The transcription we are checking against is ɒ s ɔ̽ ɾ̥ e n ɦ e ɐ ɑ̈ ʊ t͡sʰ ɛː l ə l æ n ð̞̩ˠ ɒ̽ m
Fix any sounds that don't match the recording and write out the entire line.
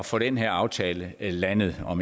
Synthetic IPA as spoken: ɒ f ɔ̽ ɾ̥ e n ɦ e ɐ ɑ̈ ʊ t͡sʰ ɛː l ə l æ n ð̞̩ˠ ɒ̽ m